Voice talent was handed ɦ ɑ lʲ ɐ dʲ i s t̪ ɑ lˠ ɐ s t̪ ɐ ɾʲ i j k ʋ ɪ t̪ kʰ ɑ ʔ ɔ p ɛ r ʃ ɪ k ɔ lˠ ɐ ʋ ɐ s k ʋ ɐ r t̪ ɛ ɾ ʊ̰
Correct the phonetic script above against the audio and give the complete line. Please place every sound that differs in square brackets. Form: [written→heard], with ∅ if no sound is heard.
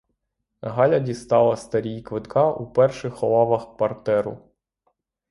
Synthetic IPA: ɦ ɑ lʲ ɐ dʲ i s t̪ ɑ lˠ ɐ s t̪ ɐ ɾʲ i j k ʋ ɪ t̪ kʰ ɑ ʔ [ɔ→u] p ɛ r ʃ ɪ [k→x] ɔ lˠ [ɐ→ɑ] ʋ ɐ [s→x] k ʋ ɐ r t̪ ɛ ɾ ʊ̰